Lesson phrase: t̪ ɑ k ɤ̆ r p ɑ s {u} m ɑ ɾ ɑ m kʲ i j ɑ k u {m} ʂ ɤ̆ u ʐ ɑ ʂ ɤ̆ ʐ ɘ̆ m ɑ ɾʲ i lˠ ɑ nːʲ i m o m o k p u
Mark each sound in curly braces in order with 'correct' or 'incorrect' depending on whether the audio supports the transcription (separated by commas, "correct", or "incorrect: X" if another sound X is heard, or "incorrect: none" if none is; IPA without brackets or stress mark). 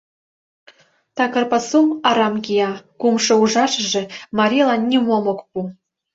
correct, correct